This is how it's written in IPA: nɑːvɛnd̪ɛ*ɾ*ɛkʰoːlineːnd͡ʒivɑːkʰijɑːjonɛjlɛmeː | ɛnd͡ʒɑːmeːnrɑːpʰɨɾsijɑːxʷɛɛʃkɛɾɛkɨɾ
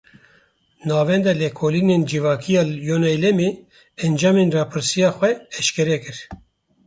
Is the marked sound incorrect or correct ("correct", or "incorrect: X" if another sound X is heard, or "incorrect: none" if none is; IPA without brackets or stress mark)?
incorrect: l